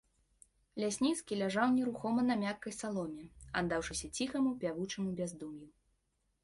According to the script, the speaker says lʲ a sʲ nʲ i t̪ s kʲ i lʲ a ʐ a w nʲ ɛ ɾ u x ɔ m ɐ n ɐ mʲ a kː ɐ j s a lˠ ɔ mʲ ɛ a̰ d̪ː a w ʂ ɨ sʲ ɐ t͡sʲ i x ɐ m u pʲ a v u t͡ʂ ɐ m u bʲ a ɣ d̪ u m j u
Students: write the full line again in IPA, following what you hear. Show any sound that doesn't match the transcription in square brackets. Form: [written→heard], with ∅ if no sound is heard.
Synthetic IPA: lʲ a sʲ nʲ i t̪ s kʲ i lʲ a ʐ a w nʲ ɛ ɾ u x ɔ m ɐ n ɐ mʲ a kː ɐ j s a lˠ ɔ mʲ ɛ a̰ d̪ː a w ʂ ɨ sʲ ɐ t͡sʲ i x ɐ m u pʲ a v u t͡ʂ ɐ m u bʲ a [ɣ→z] d̪ u m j u